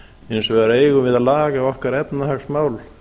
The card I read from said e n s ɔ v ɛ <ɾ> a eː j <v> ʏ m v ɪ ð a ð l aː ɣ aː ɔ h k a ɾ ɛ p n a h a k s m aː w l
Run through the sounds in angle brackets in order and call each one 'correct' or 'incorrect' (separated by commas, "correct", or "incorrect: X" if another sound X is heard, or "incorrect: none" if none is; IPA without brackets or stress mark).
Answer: correct, incorrect: ɣ